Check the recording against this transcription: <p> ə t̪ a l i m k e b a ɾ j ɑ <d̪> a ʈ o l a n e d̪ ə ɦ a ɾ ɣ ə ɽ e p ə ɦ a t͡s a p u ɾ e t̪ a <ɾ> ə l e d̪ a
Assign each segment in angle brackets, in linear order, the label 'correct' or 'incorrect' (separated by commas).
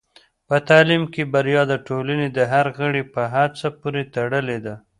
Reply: correct, correct, incorrect